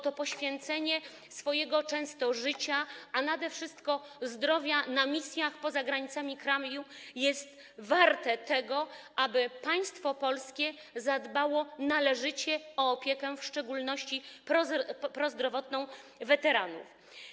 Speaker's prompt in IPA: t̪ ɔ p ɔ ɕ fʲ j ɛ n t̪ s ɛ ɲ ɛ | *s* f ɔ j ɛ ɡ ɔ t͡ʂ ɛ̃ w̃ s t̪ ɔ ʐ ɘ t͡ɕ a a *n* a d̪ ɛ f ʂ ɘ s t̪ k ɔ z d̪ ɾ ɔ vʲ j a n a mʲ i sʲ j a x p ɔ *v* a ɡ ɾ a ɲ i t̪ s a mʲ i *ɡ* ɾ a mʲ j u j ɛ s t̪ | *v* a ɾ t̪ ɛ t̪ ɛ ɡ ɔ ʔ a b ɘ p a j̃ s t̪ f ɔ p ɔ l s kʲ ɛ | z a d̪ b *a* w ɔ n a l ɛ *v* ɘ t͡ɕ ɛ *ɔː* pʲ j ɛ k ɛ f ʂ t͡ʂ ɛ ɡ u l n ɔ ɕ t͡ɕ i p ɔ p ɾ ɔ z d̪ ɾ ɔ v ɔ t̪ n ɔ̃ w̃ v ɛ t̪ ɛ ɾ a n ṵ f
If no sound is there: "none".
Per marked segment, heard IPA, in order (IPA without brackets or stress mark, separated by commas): s, n, z, k, v, a, ʐ, ɔː